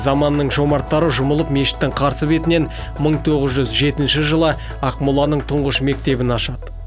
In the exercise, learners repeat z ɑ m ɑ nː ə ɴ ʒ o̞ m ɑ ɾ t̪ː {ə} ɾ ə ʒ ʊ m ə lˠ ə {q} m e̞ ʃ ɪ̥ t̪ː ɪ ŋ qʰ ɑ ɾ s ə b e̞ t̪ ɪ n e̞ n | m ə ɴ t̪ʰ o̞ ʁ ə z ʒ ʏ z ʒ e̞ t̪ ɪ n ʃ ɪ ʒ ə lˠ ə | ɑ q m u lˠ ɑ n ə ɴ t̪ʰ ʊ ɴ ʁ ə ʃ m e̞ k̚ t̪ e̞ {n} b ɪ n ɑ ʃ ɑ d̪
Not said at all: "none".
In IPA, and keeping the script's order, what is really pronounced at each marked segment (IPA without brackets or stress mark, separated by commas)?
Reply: ɑ, p, none